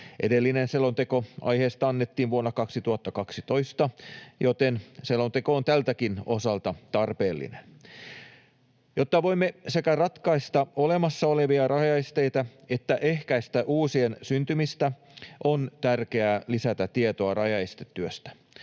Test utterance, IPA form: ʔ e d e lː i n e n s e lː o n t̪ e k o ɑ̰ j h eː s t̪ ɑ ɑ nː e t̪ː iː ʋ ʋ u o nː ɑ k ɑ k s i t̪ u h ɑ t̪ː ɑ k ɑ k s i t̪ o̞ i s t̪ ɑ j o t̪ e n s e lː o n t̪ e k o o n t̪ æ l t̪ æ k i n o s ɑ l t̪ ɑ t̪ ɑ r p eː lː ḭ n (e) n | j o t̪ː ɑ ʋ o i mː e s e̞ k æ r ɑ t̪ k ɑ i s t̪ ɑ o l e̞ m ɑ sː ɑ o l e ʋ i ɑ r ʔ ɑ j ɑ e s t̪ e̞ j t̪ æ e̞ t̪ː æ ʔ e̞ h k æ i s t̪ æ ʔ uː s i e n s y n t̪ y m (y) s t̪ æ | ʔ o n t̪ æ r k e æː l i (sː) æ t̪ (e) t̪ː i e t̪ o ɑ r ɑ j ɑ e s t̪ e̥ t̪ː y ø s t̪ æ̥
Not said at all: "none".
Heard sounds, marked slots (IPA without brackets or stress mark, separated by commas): e, i, s, æ